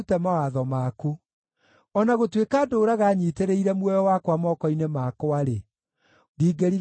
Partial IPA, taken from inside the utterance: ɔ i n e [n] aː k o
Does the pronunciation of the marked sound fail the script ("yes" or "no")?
yes